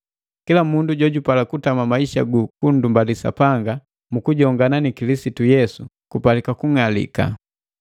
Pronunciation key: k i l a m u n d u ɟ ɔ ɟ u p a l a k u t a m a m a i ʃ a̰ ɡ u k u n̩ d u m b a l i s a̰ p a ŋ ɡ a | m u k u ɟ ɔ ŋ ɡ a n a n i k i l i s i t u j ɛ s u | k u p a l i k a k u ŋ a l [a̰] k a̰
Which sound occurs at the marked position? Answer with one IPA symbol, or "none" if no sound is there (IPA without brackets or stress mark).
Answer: ḭ